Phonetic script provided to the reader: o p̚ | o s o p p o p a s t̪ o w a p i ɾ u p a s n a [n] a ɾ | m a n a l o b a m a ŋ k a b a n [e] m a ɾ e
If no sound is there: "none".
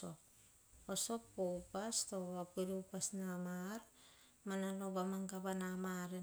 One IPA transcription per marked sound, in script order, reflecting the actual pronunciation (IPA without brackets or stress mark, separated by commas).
m, a